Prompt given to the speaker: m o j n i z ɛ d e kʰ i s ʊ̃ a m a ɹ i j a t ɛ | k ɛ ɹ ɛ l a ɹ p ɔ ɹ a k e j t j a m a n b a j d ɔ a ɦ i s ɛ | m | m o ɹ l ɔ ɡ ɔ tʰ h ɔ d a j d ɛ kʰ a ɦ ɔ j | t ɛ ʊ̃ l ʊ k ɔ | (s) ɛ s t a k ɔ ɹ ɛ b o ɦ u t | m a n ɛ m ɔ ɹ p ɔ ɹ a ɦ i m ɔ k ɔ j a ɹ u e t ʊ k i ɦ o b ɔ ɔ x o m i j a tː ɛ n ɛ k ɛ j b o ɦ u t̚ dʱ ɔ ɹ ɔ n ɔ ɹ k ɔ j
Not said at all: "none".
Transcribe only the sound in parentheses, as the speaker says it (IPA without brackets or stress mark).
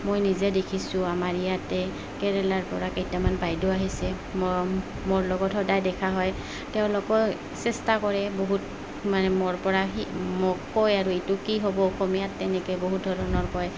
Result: s